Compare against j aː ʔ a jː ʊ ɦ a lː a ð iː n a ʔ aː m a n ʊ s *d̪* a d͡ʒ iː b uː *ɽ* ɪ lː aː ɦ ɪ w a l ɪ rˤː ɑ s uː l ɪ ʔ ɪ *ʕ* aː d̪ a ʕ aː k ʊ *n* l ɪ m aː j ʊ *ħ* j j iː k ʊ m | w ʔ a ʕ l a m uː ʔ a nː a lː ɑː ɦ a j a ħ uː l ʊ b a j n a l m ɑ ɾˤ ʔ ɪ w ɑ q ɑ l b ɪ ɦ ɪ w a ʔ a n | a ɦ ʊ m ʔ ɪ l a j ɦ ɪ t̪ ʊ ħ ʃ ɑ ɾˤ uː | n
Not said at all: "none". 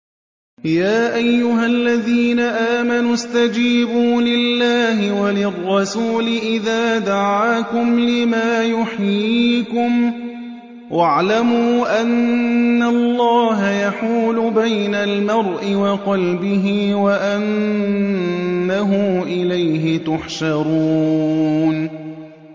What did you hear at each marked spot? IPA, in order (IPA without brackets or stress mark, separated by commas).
t̪, l, ð, m, ħ